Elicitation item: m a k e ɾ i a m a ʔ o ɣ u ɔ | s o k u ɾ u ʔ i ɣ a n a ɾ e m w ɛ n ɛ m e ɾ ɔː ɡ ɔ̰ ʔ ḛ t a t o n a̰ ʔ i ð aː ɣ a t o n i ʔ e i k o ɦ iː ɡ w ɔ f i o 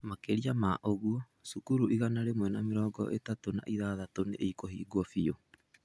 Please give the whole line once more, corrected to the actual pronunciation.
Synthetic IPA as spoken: m a k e ɾ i a m a ʔ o ɣ u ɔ | s u k u ɾ u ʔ i ɣ a n a ɾ e m w ɛ n a m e ɾ ɔː ɡ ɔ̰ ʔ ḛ t a t o n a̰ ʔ i ð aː ð a t o n e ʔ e i k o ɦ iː ɡ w ɔ f i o